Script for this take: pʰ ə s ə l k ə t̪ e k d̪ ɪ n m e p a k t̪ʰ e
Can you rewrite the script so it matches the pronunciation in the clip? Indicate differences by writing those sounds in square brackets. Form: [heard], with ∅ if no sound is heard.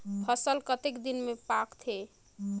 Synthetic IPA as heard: pʰ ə s ə l k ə t̪ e k d̪ [i] n m e p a k t̪ʰ e